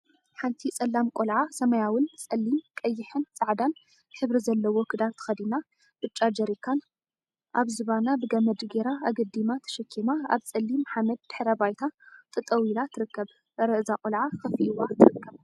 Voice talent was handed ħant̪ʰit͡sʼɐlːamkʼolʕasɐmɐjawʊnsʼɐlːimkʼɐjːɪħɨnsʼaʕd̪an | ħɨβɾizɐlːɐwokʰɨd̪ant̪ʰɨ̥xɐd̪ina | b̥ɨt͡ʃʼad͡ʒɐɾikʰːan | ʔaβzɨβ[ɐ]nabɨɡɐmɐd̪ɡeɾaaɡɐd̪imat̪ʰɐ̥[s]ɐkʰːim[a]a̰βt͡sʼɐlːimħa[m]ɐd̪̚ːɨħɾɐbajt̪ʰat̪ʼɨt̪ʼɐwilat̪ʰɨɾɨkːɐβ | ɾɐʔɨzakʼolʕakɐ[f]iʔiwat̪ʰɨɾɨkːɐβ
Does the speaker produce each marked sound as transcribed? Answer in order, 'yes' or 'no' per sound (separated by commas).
no, no, yes, yes, yes